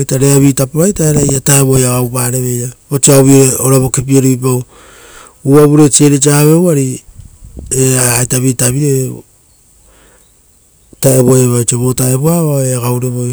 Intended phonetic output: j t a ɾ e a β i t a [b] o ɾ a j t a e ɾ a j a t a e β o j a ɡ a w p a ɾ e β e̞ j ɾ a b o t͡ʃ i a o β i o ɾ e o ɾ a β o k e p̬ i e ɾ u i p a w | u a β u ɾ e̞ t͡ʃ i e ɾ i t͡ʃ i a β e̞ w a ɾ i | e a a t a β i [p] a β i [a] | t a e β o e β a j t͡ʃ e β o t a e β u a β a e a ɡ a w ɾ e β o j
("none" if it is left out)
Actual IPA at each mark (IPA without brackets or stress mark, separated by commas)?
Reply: p, t, e